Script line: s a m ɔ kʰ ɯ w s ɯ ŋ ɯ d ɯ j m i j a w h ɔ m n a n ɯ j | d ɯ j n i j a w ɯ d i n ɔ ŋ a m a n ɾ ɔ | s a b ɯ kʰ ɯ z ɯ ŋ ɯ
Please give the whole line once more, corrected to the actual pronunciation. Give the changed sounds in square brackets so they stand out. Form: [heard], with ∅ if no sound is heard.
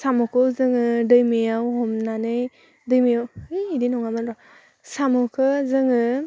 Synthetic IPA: s a m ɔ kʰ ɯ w [z] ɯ ŋ ɯ d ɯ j m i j a w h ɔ m n a n ɯ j | d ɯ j [m] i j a w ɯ d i n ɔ ŋ a m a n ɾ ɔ | s a [m] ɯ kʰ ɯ z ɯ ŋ ɯ